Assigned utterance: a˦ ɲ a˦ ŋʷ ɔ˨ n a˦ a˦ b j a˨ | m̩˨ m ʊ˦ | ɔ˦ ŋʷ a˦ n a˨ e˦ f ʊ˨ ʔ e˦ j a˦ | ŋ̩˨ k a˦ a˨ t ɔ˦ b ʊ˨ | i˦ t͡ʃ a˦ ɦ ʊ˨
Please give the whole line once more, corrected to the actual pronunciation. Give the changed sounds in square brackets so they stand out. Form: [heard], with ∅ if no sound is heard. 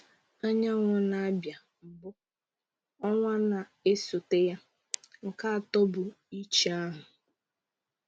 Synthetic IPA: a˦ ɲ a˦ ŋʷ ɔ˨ n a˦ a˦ b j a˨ | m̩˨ [b] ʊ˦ | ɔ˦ ŋʷ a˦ n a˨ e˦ [s] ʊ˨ [t] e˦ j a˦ | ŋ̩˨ k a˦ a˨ t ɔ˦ b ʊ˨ | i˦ t͡ʃ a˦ ɦ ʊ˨